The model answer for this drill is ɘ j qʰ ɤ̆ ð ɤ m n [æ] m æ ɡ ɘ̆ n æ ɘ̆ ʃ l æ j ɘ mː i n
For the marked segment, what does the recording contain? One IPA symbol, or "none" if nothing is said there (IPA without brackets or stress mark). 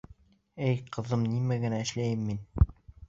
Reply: i